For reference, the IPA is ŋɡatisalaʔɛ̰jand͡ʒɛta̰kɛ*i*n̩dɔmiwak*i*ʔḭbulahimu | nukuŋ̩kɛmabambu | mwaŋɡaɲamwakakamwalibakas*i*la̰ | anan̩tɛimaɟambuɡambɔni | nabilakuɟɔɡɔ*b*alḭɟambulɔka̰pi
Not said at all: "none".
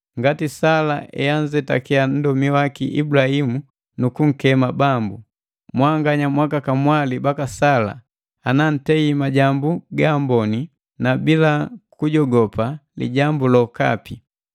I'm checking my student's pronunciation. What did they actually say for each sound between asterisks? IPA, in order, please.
a, i, a, p

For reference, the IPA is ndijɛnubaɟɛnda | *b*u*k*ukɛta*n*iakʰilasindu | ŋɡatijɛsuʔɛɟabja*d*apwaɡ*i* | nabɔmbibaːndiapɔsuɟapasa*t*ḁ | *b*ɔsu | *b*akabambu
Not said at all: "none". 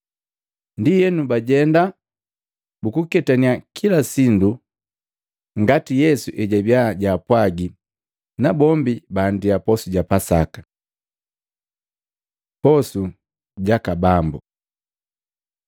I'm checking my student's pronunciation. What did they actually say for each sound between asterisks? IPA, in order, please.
b, k, n, ɟ, i, k, p, ɟ

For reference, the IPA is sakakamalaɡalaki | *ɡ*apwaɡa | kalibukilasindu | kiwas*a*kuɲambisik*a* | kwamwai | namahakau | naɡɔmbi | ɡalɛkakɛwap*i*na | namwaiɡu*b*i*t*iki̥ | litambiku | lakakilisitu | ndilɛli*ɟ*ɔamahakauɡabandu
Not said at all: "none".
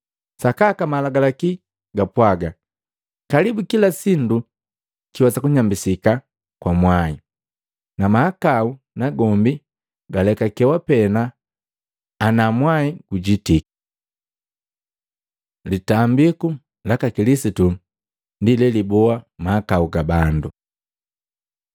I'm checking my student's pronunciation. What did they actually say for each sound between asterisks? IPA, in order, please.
ɡ, a, a, ɛ, ɟ, t, b

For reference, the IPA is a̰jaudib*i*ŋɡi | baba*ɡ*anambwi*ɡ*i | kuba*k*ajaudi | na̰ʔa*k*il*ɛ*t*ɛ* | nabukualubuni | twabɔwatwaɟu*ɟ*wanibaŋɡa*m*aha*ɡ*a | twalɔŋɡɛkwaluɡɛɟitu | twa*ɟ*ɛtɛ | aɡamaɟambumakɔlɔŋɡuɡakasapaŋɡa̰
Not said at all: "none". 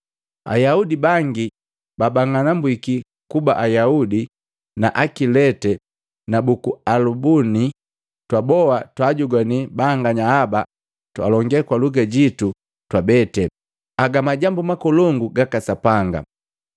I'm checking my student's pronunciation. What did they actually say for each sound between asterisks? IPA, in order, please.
a, ŋ, k, ʔ, k, ɛ, ɛ, ɡ, ɲ, b, b

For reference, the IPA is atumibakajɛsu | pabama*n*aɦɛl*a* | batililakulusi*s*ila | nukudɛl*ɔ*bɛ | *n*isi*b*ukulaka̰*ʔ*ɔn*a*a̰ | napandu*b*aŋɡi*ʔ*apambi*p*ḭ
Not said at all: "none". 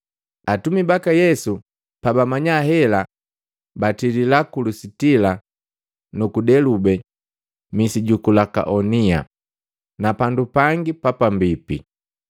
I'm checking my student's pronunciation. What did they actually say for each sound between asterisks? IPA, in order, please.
ɲ, a, t, u, m, ɟ, ʔ, i, p, p, p

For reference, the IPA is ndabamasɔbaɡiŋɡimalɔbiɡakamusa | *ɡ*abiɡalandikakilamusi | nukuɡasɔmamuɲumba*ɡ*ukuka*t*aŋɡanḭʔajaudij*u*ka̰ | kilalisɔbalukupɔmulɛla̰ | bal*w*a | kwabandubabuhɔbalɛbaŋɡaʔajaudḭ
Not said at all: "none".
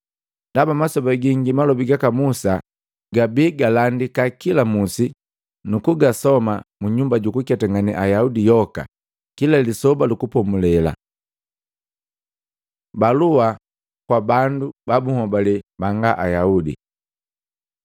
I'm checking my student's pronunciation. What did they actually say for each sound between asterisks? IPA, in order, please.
ɡ, ɟ, t, ɔ, u

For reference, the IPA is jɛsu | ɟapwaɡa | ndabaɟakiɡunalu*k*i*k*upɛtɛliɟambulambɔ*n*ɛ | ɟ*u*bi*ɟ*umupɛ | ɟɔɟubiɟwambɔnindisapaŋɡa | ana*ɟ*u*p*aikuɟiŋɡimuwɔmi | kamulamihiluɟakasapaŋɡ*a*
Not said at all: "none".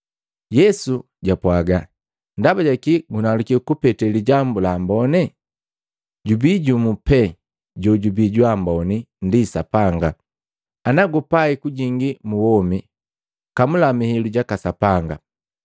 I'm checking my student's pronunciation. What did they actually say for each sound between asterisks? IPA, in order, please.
k, k, n, u, ɟ, ɡ, p, a

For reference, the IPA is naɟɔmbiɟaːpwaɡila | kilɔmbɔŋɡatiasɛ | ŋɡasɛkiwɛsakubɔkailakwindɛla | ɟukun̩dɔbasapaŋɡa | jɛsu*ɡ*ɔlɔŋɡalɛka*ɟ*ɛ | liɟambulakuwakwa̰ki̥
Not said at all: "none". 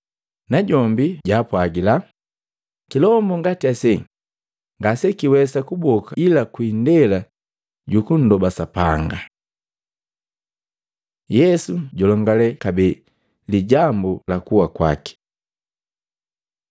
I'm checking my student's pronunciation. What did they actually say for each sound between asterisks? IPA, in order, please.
ɟ, b

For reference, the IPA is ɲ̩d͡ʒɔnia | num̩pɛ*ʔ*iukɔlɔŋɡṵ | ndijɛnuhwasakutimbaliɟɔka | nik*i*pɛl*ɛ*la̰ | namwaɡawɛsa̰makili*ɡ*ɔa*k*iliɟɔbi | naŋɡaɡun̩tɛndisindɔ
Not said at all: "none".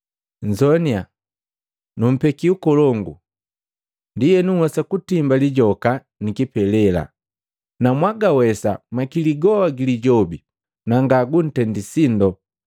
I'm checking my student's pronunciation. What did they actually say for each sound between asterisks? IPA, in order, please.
k, i, ɛ, ɡ, ɡ

